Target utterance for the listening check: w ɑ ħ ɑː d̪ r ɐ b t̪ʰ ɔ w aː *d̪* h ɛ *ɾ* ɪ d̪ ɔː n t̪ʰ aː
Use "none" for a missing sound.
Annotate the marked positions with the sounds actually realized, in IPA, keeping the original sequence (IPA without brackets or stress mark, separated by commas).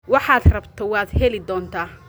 d̪, l